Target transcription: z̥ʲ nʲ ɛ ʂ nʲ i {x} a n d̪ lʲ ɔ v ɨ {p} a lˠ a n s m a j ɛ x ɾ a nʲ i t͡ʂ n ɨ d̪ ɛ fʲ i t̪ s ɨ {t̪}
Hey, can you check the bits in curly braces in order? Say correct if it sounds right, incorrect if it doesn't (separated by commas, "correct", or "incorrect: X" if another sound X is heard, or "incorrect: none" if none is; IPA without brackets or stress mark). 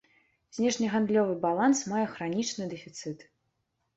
incorrect: ɣ, incorrect: b, correct